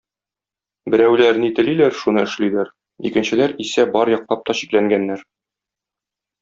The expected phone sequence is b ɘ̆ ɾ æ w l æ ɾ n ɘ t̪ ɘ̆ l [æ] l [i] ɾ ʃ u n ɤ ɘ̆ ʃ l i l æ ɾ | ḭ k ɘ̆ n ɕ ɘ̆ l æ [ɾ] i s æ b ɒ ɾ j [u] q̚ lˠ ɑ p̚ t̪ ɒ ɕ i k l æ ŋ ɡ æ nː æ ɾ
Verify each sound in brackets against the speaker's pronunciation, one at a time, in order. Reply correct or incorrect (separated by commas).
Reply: incorrect, incorrect, correct, incorrect